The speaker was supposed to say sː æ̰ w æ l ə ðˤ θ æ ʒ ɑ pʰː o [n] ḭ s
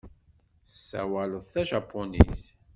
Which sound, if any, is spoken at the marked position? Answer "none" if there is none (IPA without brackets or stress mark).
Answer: n